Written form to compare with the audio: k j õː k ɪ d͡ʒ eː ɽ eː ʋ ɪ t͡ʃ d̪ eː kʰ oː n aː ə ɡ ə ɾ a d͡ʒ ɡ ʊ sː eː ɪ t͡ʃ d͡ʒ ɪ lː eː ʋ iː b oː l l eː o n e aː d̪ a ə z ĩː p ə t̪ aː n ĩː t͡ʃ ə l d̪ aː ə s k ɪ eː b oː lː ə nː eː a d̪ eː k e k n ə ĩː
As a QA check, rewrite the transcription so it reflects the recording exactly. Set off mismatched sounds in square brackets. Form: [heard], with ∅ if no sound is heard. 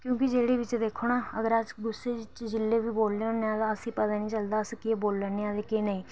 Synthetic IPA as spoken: k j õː k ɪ d͡ʒ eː ɽ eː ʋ ɪ t͡ʃ d̪ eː kʰ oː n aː ə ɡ ə ɾ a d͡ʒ ɡ ʊ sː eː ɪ t͡ʃ d͡ʒ ɪ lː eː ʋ iː b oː l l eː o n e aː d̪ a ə [s] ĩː p ə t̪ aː n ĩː t͡ʃ ə l d̪ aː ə s k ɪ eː b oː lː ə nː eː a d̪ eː k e [∅] n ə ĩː